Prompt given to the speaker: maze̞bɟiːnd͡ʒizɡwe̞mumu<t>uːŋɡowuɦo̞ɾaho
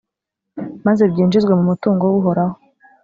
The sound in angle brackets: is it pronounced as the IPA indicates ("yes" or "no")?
yes